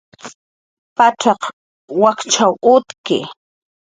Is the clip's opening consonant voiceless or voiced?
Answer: voiceless